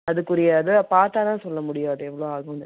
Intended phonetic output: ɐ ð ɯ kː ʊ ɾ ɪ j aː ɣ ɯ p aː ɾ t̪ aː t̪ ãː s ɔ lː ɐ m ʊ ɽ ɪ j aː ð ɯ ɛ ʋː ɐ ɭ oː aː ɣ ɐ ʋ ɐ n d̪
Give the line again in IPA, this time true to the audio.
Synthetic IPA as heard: ɐ ð ɯ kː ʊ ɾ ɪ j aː ð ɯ p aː ɾ t̪ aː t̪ ãː s ɔ lː ɐ m ʊ ɽ ɪ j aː ð ɯ ɛ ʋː ɐ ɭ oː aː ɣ ɐ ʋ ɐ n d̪

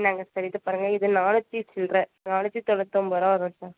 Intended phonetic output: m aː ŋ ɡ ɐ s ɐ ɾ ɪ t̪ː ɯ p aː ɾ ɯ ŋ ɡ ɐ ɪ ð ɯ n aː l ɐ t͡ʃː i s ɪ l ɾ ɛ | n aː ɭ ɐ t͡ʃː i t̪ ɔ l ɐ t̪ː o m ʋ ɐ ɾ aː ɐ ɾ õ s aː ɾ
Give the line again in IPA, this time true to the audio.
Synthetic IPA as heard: n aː ŋ ɡ ɐ s ɐ ɾ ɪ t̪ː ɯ p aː ɾ ɯ ŋ ɡ ɐ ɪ ð ɯ n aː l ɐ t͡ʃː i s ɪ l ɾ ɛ | n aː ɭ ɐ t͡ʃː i t̪ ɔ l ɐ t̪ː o m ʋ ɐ ɾ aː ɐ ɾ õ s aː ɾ

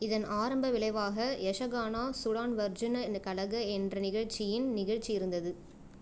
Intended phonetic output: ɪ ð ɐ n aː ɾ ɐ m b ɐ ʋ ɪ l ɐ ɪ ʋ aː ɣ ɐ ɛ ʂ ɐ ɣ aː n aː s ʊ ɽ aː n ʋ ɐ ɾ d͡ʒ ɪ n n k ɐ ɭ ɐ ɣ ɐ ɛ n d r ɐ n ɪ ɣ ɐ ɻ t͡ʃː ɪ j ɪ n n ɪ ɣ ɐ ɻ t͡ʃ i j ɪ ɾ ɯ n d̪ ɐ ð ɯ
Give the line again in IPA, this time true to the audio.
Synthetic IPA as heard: ɪ ð ɐ n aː ɾ ɐ m b ɐ ʋ ɪ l ɐ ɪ ʋ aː ɣ ɐ ɛ ʂ ɐ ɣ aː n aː s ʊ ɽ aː n ʋ ɐ ɾ d͡ʒ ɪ n n k ɐ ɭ ɐ ɣ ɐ ɛ n d r ɐ n ɪ ɣ ɐ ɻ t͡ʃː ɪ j ɪ n n ɪ ɣ ɐ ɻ t͡ʃ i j ɪ ɾ ɯ n d̪ ɐ ð ɯ

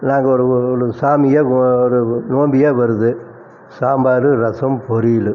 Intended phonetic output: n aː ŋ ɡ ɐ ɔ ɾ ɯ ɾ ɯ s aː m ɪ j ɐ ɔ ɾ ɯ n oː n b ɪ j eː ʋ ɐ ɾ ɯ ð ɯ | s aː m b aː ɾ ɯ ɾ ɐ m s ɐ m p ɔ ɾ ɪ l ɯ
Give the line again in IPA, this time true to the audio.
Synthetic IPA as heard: n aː ŋ ɡ ɐ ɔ ɾ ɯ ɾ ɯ s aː m ɪ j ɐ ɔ ɾ ɯ n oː m b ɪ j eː ʋ ɐ ɾ ɯ ð ɯ | s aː m b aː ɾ ɯ ɾ ɐ s ɐ m p ɔ ɾ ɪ l ɯ

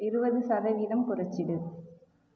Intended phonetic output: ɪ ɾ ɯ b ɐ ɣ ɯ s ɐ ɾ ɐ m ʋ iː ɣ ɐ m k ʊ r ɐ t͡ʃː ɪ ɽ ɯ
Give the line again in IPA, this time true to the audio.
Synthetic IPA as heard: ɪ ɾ ɯ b ɐ ð ɯ s ɐ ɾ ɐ ʋ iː ð ɐ m k ʊ r ɐ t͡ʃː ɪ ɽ ɯ

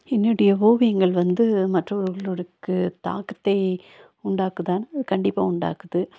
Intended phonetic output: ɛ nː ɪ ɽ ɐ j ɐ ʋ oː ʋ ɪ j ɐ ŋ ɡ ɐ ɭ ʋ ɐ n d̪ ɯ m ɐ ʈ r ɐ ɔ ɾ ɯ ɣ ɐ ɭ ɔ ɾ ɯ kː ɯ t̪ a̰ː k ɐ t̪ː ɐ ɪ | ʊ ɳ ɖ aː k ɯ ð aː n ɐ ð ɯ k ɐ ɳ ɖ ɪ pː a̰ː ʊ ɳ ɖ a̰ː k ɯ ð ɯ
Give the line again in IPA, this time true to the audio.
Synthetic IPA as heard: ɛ nː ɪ ɽ ɐ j ɐ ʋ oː ʋ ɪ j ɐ ŋ ɡ ɐ ɭ ʋ ɐ n d̪ ɯ m ɐ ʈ r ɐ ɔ ɾ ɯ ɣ ɐ ɭ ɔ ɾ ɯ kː ɯ t̪ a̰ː k ɐ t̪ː ɐ ɪ | ʊ ɳ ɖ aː k ɯ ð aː n ɐ ð ɯ k ɐ ɳ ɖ ɪ pː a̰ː ʊ ɳ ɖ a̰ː k ɯ ð ɯ

